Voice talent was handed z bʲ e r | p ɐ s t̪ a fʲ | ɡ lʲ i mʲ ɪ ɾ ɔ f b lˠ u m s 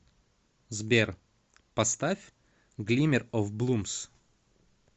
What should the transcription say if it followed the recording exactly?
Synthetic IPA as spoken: z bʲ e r | p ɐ s t̪ a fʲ | ɡ lʲ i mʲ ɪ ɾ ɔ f b lˠ u m s